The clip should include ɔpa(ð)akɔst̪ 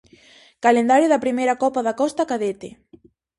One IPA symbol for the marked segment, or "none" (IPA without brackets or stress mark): ð